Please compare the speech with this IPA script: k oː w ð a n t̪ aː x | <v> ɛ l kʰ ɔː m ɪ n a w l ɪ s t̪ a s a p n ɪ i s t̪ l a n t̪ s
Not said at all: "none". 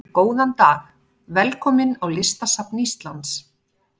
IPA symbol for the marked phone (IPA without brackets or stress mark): v